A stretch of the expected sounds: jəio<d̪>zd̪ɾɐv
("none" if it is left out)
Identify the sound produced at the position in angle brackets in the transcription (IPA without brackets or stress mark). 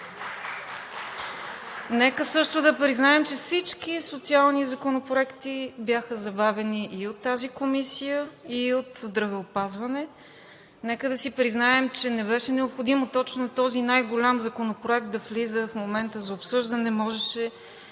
t̪